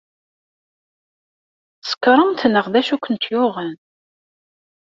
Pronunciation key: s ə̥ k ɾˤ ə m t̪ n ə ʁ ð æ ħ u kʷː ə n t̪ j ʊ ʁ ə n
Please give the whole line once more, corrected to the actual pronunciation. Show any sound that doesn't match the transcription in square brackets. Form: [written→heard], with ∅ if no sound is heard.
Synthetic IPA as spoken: s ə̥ k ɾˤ ə m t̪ n ə ʁ ð æ [ħ→ʃ] u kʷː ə n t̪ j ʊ ʁ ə n